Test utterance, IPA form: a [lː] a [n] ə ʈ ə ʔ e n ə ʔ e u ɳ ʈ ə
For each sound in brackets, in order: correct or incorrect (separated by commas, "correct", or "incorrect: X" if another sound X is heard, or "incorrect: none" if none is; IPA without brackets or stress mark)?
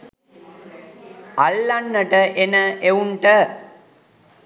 correct, incorrect: nː